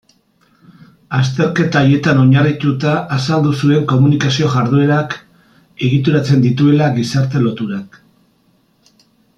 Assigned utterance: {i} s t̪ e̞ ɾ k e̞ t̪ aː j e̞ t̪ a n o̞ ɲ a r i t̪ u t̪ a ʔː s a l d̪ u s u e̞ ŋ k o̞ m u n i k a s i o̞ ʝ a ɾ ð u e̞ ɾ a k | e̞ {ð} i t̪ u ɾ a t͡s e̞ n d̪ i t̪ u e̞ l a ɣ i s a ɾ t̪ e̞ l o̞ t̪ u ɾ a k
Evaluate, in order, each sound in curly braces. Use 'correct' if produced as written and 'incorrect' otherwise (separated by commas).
incorrect, incorrect